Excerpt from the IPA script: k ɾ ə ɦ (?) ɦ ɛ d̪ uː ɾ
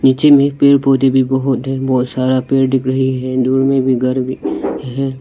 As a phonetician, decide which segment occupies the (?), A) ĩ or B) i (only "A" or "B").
B